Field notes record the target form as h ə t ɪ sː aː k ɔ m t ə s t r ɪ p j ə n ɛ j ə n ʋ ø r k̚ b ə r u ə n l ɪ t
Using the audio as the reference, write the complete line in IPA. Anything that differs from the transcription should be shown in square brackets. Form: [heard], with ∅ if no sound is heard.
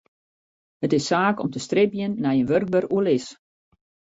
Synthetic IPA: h ə t ɪ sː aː k ɔ m t ə s t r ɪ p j ə [nː] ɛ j ə n ʋ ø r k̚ b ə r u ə [∅] l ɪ [s]